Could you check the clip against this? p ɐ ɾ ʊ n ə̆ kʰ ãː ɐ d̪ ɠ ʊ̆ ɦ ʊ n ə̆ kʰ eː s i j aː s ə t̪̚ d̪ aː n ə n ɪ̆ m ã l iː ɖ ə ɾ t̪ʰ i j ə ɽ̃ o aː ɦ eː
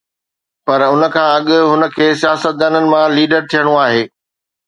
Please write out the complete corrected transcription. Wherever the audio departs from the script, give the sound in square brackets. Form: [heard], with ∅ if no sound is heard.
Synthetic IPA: p ɐ ɾ ʊ n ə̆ kʰ ãː ɐ [∅] ɠ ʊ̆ ɦ ʊ n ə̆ kʰ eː s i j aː s ə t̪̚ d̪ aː n ə n ɪ̆ m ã l iː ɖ ə ɾ t̪ʰ i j ə ɽ̃ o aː ɦ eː